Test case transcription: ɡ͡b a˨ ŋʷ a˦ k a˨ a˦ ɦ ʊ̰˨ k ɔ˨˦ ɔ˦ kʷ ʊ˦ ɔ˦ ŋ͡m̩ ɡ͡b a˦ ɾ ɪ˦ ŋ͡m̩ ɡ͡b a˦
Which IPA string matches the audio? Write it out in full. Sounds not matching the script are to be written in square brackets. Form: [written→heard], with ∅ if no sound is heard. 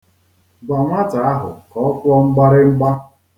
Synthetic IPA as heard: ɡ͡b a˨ ŋʷ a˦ [k→t] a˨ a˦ ɦ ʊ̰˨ k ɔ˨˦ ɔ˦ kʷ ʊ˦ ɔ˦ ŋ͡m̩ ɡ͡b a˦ ɾ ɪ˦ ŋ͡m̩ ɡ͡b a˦

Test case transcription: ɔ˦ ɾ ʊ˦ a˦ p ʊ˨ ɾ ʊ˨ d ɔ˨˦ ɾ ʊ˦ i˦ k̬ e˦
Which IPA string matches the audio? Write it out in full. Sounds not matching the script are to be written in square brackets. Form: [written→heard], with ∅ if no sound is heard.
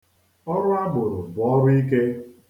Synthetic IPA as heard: ɔ˦ ɾ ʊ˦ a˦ [p→b] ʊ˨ ɾ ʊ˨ [d→b] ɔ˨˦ ɾ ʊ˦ i˦ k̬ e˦

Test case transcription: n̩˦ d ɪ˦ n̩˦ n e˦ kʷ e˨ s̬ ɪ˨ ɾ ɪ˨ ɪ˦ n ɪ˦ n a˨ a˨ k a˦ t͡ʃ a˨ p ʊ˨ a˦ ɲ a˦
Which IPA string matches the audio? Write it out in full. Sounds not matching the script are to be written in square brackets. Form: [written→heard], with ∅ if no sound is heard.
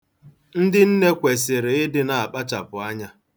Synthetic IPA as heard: n̩˦ d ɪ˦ n̩˦ n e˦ kʷ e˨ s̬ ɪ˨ ɾ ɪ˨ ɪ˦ [n→d] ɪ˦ n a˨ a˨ [k→k͡p] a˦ t͡ʃ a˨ p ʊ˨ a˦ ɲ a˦

